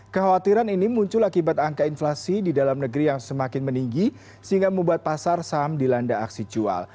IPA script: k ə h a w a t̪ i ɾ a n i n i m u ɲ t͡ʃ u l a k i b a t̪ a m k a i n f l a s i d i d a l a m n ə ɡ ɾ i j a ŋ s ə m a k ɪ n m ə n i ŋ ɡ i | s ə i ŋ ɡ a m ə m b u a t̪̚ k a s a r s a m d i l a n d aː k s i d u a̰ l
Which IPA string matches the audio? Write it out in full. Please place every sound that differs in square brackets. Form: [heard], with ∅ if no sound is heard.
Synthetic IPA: k ə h a w a t̪ i ɾ a n i n i m u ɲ t͡ʃ [ʊ] l a k i b a t̪ a [ŋ] k a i n f l a s i d i d a l a m n ə ɡ ɾ i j a ŋ s ə m a k ɪ n m ə n i ŋ ɡ i | s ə i ŋ ɡ a m ə m b u a t̪̚ [p] a s a r s a m d i l a n d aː k s i [d͡ʒ] u a̰ l